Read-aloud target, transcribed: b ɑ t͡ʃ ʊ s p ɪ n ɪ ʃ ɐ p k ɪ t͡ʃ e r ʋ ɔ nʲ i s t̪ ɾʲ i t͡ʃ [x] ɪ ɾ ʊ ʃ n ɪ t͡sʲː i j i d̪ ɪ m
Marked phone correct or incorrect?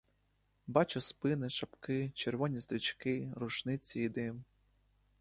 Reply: incorrect